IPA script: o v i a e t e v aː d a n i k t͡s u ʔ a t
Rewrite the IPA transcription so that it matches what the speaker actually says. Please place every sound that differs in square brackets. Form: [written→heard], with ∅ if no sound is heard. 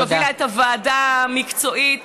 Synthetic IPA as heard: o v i a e t [e→a] v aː d a [n→m] i k t͡s [u→o] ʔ [a→i] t